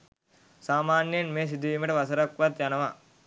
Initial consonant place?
alveolar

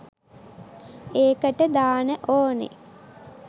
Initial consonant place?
velar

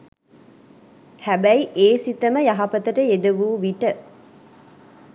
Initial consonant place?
glottal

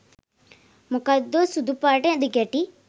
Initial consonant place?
labial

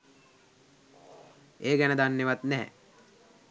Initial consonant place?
velar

